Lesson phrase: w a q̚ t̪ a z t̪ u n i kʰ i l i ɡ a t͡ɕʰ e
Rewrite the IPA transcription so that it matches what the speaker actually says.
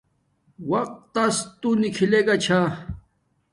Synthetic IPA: w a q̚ t̪ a s t̪ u n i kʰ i l e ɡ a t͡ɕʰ a